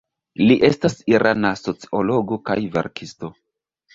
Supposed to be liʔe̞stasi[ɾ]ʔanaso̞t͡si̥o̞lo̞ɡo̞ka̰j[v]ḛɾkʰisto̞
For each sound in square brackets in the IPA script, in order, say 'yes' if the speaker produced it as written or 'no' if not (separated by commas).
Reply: yes, yes